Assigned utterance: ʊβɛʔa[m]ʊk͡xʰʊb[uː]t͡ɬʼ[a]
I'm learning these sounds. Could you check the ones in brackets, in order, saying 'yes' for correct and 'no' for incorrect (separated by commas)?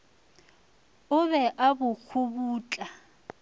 no, yes, yes